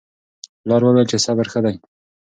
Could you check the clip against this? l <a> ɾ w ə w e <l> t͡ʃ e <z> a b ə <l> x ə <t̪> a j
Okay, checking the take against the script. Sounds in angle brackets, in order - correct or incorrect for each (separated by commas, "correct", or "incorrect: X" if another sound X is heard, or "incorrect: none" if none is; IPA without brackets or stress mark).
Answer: incorrect: ɑ, correct, incorrect: s, incorrect: ɾ, incorrect: d̪